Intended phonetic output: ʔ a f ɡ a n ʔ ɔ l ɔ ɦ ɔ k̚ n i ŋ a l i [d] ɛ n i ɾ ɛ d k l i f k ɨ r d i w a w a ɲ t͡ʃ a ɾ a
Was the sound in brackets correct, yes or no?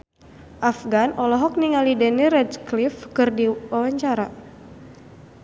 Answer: yes